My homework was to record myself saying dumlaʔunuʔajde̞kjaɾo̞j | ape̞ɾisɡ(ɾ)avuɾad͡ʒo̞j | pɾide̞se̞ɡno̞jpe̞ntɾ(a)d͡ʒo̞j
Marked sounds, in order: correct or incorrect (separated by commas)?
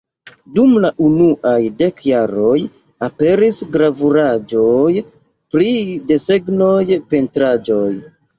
correct, correct